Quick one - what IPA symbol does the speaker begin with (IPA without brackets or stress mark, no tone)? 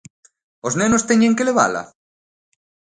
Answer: o